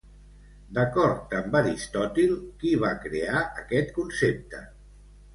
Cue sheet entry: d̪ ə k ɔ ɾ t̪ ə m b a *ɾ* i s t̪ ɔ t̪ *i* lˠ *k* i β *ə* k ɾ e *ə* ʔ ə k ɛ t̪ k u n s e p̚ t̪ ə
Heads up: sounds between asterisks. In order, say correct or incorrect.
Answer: correct, correct, correct, incorrect: a, incorrect: a

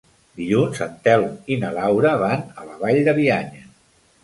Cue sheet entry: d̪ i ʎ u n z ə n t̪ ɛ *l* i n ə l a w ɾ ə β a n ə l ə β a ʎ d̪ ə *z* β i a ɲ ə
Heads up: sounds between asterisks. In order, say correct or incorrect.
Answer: correct, incorrect: none

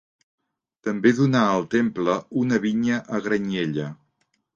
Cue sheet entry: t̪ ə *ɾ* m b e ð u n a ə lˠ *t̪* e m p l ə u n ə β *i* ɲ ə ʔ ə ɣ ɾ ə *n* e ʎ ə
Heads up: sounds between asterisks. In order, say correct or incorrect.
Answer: incorrect: none, correct, correct, incorrect: ɲ

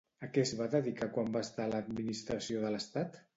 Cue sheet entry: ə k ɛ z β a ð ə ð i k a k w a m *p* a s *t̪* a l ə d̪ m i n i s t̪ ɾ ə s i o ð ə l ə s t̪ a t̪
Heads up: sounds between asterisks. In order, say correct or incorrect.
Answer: incorrect: b, correct

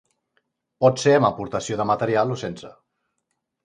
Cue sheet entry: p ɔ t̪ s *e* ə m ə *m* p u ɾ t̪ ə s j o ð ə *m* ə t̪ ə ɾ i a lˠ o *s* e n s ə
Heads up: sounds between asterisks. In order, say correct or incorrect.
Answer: correct, incorrect: none, correct, correct

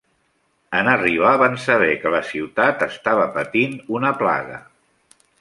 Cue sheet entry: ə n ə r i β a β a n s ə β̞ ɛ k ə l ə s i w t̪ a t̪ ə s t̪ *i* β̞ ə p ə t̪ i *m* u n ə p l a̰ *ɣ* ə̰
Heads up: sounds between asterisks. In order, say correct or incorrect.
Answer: incorrect: a, incorrect: n, correct

